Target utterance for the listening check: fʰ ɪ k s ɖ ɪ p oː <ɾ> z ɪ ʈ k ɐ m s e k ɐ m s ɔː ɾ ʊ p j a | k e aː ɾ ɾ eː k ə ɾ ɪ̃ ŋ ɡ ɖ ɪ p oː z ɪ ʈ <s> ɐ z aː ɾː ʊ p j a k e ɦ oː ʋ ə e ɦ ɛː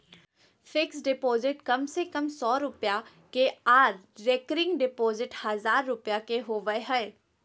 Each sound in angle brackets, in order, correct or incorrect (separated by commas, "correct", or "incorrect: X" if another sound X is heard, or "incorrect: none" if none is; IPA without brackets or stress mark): incorrect: none, incorrect: h